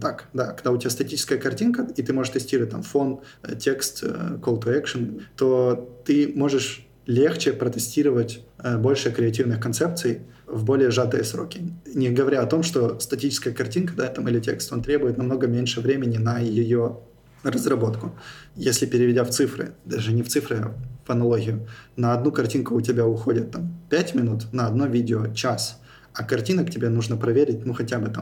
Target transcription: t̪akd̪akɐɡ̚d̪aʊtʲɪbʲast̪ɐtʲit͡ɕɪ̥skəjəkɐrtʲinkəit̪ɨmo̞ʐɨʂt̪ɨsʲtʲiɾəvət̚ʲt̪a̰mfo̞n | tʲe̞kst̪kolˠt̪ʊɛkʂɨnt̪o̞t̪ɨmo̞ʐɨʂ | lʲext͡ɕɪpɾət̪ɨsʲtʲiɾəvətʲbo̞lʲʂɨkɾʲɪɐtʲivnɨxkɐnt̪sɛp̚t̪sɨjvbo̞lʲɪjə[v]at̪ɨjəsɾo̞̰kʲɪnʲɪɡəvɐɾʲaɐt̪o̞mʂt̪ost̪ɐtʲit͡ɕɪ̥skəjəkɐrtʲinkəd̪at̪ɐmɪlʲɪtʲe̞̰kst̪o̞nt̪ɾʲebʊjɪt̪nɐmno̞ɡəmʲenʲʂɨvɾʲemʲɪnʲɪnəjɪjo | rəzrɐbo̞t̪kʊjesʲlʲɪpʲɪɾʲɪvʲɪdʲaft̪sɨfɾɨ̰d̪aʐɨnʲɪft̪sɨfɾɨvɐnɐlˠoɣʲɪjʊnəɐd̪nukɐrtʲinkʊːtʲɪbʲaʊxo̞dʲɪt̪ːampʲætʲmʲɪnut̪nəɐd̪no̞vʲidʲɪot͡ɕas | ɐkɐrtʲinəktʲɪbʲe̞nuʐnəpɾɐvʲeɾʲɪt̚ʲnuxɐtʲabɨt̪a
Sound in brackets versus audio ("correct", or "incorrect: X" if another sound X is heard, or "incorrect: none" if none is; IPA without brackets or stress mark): incorrect: ʐ